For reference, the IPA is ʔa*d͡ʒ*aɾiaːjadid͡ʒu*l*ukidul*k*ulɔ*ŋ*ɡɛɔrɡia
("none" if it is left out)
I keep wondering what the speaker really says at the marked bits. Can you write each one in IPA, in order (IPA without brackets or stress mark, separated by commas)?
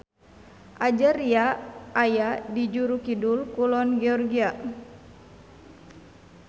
d͡ʒ, ɾ, k, n